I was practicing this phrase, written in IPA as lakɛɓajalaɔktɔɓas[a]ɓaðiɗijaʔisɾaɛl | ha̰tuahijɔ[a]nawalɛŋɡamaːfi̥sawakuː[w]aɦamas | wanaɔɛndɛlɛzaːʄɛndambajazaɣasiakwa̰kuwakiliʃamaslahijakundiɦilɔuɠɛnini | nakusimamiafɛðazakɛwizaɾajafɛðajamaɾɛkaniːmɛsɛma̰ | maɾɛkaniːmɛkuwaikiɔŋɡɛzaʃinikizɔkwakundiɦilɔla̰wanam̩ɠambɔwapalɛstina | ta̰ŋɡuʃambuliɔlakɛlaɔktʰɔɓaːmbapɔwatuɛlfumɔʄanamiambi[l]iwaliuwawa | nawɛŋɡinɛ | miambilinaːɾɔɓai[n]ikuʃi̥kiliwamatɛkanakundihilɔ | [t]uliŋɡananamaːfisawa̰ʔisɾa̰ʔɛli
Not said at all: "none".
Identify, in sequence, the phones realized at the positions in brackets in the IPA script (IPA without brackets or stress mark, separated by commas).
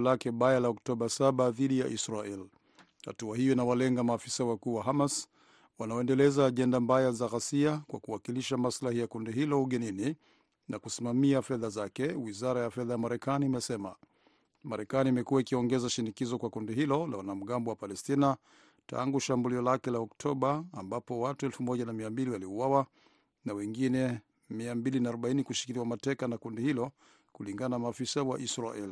a, i, w, l, n, k